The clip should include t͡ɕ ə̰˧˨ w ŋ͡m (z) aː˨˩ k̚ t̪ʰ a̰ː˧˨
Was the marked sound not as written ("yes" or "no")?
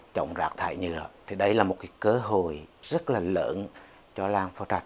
no